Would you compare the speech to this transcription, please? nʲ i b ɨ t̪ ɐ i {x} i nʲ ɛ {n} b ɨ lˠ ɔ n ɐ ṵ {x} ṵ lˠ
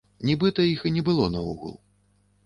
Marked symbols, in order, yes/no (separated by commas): yes, no, no